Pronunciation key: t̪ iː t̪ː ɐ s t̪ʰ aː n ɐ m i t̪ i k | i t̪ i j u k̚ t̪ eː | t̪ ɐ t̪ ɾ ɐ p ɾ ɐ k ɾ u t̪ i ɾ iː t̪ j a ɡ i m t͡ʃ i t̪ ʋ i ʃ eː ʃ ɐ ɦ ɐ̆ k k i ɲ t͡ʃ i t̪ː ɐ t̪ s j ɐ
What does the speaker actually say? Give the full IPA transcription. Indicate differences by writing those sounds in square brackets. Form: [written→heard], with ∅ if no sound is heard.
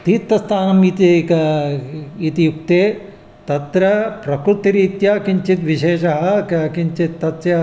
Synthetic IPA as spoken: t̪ iː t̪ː ɐ s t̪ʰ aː n ɐ m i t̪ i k | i t̪ i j u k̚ t̪ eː | t̪ ɐ t̪ ɾ ɐ p ɾ ɐ k ɾ u t̪ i ɾ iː t̪ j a [ɡ→k] i [m→ɲ] t͡ʃ i t̪ ʋ i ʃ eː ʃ ɐ ɦ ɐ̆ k k i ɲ t͡ʃ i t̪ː ɐ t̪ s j ɐ